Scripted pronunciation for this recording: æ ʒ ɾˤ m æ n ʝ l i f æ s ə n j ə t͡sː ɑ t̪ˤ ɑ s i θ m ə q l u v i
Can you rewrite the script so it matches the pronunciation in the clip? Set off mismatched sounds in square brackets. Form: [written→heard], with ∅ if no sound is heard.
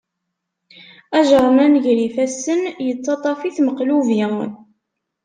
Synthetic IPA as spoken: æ ʒ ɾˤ m æ n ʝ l i f æ s ə n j ə t͡sː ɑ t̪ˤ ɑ [s→f] i θ m ə q l u v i